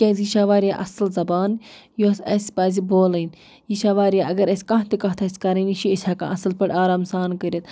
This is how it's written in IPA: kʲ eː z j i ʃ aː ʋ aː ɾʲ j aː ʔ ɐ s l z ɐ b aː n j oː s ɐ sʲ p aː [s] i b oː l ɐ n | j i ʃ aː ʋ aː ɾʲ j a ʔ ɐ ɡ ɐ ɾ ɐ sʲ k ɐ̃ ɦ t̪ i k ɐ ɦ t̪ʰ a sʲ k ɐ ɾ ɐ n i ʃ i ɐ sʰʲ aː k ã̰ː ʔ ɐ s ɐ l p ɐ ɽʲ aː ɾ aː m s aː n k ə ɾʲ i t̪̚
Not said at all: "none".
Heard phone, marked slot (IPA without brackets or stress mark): z